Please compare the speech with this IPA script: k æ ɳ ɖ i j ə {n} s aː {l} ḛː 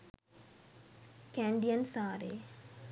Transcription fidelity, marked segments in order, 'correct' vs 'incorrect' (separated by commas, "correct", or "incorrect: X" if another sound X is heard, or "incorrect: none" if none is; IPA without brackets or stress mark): correct, incorrect: ɾ